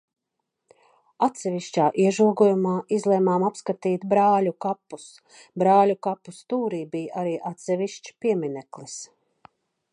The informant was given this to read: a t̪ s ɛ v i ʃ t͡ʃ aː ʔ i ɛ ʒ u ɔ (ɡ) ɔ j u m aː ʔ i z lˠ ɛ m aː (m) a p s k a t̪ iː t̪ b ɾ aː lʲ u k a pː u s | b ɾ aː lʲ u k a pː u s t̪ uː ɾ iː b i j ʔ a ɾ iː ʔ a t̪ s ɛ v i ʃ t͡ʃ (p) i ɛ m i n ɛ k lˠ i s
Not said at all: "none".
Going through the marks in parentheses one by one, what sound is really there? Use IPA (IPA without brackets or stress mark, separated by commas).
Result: ɡ, m, p